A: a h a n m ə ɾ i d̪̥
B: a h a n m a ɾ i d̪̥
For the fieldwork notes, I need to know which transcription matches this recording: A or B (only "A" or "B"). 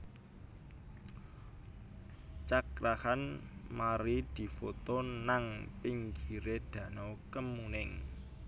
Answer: B